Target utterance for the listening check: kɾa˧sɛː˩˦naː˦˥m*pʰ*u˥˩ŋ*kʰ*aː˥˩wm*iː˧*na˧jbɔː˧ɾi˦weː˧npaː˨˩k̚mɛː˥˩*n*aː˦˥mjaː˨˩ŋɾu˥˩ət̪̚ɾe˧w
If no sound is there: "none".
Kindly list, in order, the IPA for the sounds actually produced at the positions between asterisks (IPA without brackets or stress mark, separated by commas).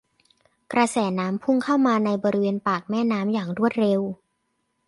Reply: pʰ, kʰ, aː˧, n